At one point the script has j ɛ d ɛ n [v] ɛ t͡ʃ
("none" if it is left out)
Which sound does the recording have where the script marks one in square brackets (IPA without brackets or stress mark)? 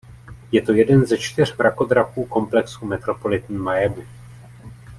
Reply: z